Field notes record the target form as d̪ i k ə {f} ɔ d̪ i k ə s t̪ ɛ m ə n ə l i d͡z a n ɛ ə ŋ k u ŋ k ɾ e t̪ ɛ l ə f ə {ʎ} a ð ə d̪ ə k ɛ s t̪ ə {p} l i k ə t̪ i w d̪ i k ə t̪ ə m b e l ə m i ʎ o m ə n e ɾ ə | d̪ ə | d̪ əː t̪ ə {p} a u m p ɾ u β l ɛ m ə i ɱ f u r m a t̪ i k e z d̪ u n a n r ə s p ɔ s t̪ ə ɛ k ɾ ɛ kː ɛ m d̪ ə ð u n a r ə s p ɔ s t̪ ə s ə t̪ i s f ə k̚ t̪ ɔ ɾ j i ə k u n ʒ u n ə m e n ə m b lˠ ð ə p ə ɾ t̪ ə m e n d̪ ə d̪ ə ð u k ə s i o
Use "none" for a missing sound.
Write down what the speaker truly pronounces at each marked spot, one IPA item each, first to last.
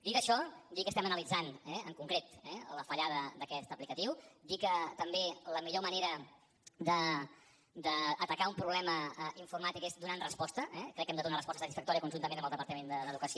ʃ, ʎ, p, k

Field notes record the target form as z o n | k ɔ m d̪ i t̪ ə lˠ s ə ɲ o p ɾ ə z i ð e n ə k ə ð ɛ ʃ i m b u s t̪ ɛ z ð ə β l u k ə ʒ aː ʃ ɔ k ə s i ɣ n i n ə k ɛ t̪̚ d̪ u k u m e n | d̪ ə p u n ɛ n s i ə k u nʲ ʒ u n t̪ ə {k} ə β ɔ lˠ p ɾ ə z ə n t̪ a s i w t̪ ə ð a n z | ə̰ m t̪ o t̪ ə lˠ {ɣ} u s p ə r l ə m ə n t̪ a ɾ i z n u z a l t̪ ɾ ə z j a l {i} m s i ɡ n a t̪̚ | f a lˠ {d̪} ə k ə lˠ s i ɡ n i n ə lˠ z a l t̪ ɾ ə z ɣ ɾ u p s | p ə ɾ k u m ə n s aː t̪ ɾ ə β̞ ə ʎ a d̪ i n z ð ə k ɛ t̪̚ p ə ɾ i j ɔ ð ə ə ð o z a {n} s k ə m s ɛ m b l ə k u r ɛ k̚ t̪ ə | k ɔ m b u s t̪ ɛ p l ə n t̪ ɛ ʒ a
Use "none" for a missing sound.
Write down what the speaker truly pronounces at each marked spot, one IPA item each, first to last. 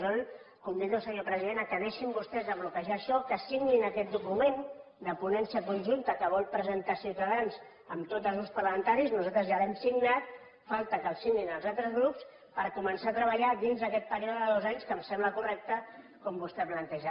k, z, ɛ, t̪, ɲ

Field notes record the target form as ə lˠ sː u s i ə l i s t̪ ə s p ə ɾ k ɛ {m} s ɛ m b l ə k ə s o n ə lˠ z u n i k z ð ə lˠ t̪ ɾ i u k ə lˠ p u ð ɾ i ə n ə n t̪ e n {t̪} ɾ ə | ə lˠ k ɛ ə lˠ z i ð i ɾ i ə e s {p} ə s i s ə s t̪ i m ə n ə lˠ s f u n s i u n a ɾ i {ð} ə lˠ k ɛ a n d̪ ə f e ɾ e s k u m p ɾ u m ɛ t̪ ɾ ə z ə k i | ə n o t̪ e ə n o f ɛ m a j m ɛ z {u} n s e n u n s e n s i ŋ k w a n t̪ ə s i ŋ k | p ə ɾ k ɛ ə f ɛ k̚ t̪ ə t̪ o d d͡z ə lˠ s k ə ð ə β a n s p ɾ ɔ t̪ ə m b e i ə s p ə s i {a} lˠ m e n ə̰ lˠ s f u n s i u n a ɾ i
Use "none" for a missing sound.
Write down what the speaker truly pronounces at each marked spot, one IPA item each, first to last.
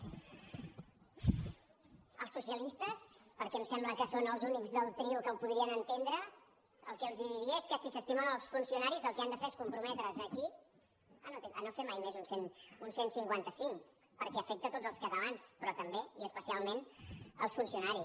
m, d̪, k, z, u, a

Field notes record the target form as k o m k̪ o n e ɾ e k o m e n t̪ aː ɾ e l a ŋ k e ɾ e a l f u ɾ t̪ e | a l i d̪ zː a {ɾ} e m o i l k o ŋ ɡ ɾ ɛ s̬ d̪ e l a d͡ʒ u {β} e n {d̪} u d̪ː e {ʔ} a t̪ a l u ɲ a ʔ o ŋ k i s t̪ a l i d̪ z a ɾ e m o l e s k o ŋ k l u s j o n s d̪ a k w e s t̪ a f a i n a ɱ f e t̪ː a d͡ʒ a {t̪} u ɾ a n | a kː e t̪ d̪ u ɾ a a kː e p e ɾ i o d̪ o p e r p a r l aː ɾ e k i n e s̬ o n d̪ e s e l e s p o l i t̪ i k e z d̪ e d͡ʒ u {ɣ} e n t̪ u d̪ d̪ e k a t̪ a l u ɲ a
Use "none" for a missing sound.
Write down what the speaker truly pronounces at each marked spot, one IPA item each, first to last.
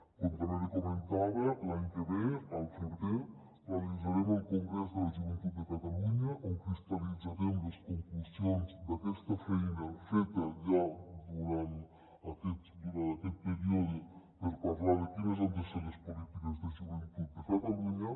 ɾ, v, t̪, k, d̪, v

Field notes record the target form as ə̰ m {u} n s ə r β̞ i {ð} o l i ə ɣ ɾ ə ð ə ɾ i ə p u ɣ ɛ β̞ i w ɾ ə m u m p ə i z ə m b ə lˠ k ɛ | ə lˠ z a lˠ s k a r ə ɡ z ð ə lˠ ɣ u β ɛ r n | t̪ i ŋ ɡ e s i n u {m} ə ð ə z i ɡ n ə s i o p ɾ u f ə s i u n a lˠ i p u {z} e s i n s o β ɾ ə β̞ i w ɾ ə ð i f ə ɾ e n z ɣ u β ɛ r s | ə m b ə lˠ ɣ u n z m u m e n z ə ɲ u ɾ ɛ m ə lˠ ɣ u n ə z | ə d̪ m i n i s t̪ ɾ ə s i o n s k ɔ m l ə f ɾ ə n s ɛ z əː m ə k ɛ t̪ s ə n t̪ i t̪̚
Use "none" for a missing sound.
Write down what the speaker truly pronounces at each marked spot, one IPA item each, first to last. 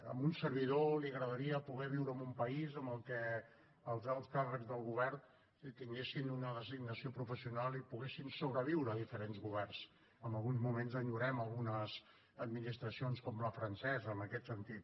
u, ð, n, ɣ

